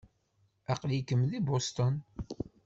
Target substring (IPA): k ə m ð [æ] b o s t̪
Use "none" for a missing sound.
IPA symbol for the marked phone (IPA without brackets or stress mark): i